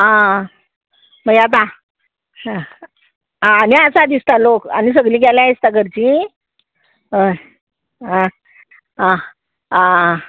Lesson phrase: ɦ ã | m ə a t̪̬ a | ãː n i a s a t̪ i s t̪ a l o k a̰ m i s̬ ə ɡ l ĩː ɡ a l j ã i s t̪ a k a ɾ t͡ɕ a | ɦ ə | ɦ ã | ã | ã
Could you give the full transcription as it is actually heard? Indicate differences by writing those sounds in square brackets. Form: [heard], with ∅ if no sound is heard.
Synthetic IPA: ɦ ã | m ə a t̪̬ a | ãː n i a s a [d̪] i s t̪ a l o k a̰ [n] i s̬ ə ɡ l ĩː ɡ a l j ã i s t̪ a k [ə] ɾ t͡ɕ [i] | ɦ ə | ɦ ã | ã | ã